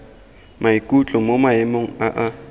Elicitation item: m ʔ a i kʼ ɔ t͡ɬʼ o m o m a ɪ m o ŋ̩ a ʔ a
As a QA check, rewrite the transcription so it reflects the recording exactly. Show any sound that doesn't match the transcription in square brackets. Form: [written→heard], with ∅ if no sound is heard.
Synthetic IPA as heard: m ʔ a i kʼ [ɔ→u] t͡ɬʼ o m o m a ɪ m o ŋ̩ a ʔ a